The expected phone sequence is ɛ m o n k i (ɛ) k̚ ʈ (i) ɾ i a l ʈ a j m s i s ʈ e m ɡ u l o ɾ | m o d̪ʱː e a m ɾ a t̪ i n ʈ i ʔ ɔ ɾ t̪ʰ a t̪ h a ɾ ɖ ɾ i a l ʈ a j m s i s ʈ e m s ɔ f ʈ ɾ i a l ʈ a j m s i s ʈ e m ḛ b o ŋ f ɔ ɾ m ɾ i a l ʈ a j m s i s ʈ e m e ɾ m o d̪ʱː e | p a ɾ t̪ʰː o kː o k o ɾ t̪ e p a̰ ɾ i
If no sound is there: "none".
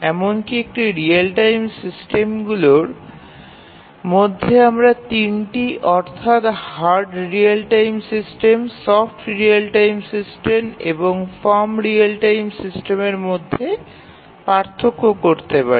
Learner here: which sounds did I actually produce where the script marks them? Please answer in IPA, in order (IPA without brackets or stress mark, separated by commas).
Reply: e, i